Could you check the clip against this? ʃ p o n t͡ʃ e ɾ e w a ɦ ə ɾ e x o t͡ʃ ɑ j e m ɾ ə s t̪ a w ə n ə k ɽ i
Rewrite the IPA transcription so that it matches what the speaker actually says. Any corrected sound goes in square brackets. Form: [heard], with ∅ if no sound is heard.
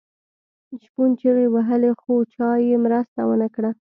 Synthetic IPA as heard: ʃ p [u] n t͡ʃ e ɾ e w a ɦ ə [l] e x o t͡ʃ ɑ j e m ɾ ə s t̪ a w ə n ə k ɽ [a]